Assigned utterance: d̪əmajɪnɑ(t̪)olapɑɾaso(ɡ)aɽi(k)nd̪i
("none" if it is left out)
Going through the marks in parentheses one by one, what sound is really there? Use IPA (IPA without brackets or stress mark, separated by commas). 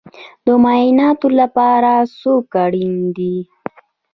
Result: t̪, k, none